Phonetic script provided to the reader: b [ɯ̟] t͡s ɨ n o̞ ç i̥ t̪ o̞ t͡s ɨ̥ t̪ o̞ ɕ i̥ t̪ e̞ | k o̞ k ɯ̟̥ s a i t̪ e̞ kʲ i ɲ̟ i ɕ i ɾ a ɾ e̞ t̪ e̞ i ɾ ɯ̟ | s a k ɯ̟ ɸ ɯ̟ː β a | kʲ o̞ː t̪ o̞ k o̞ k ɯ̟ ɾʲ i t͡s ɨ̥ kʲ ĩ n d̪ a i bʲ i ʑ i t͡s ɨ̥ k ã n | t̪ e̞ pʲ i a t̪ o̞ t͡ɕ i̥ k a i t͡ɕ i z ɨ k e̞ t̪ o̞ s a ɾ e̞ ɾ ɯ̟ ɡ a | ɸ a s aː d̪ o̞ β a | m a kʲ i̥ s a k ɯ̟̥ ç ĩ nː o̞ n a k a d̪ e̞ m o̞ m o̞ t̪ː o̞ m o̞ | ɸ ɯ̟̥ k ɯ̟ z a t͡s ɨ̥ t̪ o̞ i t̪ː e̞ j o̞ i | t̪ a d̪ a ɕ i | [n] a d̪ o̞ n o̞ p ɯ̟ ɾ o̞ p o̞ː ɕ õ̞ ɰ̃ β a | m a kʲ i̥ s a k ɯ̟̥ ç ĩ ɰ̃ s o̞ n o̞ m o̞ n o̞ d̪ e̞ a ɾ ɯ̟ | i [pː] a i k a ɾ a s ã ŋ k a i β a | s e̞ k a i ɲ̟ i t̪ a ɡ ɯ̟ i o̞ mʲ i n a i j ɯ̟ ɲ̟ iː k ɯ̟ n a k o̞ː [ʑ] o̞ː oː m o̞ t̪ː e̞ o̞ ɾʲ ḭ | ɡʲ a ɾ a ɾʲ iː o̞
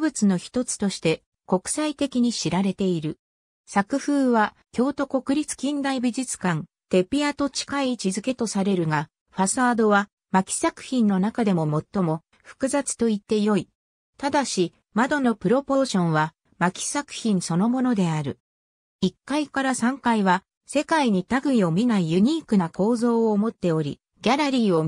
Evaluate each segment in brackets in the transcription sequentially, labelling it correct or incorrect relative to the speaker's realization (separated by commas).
correct, incorrect, incorrect, incorrect